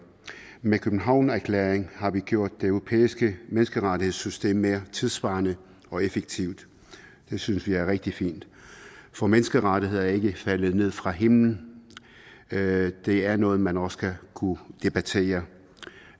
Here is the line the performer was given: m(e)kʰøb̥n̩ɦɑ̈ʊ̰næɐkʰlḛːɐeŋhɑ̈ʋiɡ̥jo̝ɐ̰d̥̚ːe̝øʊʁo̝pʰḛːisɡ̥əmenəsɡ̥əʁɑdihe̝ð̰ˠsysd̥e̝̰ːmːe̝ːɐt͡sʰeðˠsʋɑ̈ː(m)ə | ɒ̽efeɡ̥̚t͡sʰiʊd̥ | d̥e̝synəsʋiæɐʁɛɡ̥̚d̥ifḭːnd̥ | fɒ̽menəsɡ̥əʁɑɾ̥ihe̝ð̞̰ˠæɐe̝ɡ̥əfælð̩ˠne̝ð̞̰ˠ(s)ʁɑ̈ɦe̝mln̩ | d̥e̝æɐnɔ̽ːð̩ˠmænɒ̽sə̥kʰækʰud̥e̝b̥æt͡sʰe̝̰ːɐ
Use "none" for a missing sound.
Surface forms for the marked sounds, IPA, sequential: e, n, f

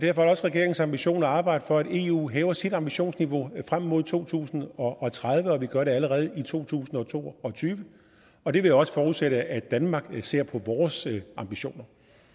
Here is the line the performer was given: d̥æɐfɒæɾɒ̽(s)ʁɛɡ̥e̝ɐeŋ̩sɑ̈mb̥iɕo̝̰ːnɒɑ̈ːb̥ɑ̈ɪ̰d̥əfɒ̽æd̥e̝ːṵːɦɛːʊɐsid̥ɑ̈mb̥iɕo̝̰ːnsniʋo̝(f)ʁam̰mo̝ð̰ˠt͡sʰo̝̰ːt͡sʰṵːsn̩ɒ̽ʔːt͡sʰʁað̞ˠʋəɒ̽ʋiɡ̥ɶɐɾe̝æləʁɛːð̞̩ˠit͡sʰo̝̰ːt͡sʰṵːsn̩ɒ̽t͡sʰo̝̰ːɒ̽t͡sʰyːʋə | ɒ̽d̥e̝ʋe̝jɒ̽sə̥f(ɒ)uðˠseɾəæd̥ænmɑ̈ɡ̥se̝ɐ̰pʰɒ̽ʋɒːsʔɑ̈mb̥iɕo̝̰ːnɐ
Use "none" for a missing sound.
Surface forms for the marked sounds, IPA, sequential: s, f, ɒː

